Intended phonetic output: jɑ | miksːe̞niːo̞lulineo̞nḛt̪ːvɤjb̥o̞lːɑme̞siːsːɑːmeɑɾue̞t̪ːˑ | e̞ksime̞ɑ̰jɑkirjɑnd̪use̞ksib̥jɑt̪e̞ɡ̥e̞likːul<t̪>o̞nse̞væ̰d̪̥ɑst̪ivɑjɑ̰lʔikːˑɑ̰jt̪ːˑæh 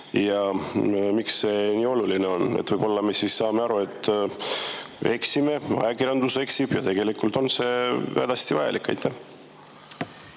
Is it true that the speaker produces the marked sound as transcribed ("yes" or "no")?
yes